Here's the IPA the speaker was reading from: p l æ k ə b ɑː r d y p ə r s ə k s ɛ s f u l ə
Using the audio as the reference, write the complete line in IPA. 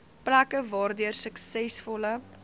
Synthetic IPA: p l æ k ə v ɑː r d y ə r s ə k s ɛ s f ɔ l ə